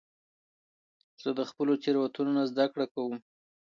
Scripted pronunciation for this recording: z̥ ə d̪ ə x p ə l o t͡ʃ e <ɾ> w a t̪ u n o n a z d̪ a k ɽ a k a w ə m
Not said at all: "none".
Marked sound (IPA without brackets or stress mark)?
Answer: ɾ